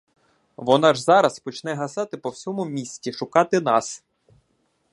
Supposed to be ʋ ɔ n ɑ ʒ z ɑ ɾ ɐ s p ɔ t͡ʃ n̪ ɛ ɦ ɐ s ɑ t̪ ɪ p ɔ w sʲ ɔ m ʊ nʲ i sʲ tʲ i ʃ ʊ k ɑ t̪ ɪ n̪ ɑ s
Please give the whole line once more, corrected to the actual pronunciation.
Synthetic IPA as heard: ʋ ɔ n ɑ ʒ z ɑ ɾ ɐ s p ɔ t͡ʃ n̪ ɛ ɦ ɐ s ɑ t̪ ɪ p ɔ w sʲ ɔ m ʊ mʲ i sʲ tʲ i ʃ ʊ k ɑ t̪ ɪ n̪ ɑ s